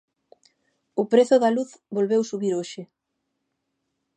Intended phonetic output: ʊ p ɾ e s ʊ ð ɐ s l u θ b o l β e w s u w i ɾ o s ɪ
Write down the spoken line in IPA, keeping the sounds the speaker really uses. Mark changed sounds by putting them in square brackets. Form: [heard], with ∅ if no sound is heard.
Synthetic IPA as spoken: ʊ p ɾ e [θ] ʊ ð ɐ [∅] l u θ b o l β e w s u [β] i ɾ o [ʃ] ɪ